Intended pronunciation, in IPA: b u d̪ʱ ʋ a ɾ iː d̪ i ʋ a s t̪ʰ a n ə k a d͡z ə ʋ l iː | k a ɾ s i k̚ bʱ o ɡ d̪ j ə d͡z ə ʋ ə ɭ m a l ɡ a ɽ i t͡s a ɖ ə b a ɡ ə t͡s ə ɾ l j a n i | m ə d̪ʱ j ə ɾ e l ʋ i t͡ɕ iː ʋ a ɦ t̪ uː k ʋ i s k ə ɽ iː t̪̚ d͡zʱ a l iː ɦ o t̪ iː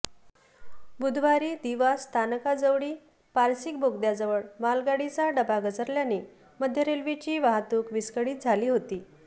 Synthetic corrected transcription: b u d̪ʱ ʋ a ɾ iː d̪ i ʋ a s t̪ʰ a n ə k a d͡z ə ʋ ɽ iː | p a ɾ s i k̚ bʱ o ɡ d̪ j a d͡z ə ʋ ə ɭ m a l ɡ a ɽ i t͡s a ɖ ə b a ɡ ə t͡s ə ɾ l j a n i | m ə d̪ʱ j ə ɾ e l ʋ i t͡ɕ iː ʋ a ɦ t̪ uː k ʋ i s k ə ɽ iː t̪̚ d͡zʱ a l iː ɦ o t̪ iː